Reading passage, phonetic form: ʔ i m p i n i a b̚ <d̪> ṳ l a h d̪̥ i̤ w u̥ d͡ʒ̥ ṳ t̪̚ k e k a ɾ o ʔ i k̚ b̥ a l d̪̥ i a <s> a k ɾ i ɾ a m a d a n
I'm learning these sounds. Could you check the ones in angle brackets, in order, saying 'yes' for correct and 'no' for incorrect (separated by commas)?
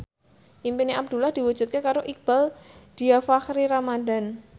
yes, no